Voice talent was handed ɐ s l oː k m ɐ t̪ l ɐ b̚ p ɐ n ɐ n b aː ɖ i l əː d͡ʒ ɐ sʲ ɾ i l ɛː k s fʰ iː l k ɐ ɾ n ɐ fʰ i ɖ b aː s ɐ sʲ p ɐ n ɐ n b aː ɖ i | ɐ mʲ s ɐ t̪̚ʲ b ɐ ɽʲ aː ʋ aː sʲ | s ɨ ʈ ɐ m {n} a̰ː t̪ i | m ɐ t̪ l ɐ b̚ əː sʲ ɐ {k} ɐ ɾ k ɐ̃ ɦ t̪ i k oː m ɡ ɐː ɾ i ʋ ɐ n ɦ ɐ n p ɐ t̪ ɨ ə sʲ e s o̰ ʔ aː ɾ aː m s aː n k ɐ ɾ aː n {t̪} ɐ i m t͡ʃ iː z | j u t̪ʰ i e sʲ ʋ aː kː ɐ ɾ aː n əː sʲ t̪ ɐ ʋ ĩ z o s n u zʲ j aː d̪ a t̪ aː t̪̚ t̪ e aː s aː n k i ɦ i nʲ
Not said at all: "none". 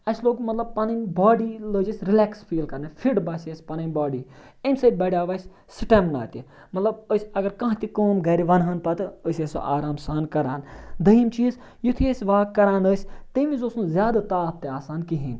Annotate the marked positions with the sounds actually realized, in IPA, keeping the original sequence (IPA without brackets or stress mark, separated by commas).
n, ɡ, d̪